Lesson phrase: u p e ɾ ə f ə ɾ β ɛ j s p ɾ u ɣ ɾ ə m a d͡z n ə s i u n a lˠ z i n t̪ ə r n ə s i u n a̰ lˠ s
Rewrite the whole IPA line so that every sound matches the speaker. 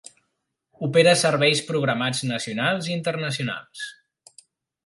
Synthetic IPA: u p e ɾ ə s ə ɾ β ɛ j s p ɾ u ɣ ɾ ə m a d͡z n ə s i u n a lˠ z i n t̪ ə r n ə s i u n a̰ lˠ s